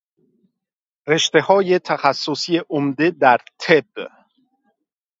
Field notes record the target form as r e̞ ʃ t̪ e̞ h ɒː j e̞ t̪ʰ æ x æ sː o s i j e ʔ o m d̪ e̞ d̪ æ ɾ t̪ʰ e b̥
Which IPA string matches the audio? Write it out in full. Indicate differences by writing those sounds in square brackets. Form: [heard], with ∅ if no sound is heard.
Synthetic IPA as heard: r e̞ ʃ t̪ e̞ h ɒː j e̞ t̪ʰ æ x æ sː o s i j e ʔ o m d̪ e̞ d̪ æ ɾ t̪ʰ e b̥